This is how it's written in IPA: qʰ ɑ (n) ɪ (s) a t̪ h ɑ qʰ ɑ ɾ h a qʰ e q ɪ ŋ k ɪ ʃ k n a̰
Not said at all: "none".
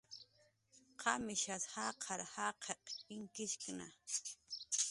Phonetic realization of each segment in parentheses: m, ʃ

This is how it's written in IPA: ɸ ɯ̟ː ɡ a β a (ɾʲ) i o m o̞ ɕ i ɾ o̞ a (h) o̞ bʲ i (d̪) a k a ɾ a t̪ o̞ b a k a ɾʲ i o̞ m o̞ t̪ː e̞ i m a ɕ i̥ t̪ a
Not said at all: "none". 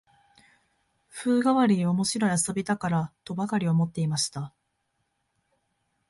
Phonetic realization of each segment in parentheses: ɾʲ, s, t̪

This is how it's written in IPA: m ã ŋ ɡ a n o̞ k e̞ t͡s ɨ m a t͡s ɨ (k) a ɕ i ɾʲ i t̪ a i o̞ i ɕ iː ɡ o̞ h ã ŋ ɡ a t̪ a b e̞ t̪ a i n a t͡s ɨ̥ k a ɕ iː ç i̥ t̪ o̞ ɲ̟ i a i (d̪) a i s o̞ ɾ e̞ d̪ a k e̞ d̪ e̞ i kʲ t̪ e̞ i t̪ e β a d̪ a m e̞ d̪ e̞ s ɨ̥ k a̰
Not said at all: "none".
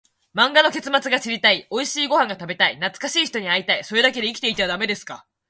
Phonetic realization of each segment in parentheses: ɡ, t̪

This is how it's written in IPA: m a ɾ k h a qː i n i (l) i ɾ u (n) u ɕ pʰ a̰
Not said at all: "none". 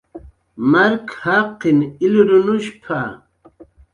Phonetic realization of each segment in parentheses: l, n

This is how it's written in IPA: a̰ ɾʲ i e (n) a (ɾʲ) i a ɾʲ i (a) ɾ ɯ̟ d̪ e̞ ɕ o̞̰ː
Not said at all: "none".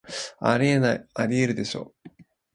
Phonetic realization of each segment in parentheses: n, none, e

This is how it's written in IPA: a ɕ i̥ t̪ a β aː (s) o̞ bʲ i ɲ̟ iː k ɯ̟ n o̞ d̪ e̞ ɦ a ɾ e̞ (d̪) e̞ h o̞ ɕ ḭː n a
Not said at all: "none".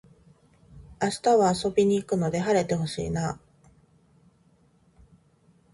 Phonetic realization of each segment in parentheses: s, t̪

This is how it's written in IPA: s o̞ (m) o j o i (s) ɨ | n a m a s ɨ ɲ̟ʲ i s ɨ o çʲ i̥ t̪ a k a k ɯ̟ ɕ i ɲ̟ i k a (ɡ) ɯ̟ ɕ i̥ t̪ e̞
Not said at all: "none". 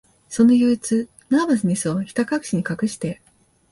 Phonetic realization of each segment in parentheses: n, t͡s, k

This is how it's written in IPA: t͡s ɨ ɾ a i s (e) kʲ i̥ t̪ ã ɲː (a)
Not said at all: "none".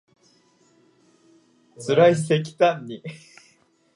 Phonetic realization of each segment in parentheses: e, i

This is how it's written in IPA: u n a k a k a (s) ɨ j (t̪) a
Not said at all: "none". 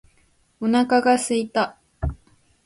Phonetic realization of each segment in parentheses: s, t̪

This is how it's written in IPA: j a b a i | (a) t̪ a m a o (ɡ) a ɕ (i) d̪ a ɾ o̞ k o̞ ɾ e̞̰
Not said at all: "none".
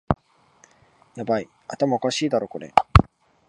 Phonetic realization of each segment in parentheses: a, k, iː

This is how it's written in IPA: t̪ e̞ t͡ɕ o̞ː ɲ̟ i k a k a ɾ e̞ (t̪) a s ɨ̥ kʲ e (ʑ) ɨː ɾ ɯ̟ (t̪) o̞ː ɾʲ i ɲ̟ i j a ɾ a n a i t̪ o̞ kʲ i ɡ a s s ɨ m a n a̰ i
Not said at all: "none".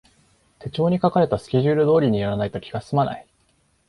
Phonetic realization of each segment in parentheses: t̪, ʑ, d̪

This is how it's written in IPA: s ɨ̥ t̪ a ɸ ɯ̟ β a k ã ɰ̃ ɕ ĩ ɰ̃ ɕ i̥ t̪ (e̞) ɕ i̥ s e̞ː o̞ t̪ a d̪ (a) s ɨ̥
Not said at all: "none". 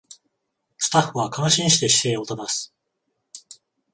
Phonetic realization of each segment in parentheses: e̞, a

